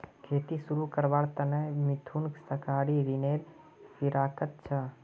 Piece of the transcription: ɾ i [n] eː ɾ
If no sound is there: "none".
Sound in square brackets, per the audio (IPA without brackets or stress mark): n